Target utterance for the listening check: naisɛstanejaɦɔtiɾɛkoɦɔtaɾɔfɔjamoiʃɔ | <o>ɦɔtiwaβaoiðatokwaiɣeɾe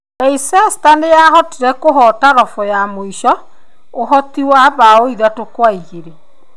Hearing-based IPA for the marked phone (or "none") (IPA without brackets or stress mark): o